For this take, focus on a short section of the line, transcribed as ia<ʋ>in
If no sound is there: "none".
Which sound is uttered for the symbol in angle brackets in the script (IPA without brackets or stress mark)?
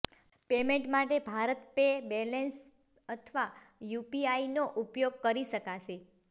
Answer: none